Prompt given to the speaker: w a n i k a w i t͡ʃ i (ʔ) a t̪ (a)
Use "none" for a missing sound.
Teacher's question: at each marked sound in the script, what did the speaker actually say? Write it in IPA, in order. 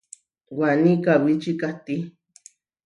k, i

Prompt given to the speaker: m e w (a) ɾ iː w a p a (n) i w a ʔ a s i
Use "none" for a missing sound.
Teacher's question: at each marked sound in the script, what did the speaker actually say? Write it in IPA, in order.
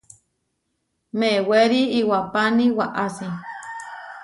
e, n

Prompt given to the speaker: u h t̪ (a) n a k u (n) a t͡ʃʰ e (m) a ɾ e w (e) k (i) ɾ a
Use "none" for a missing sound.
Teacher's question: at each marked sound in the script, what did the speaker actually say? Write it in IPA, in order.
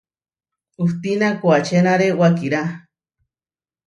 i, none, n, a, i

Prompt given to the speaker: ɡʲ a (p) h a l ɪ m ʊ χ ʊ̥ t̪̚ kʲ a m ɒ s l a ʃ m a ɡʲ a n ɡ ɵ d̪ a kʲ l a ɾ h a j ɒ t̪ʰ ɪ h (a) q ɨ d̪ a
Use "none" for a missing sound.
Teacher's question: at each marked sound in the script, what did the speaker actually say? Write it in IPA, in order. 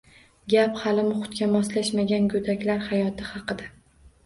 p, ɑ

